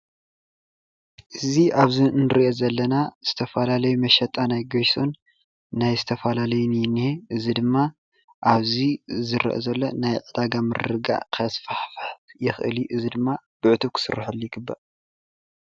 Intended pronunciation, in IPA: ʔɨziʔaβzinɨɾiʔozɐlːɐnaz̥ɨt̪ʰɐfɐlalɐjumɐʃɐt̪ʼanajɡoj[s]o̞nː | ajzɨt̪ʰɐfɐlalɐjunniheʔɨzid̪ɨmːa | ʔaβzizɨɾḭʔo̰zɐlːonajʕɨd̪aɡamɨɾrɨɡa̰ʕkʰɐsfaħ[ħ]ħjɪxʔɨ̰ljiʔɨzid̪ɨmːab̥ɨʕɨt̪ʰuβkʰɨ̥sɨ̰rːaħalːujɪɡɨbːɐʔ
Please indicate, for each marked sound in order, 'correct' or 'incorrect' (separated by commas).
correct, incorrect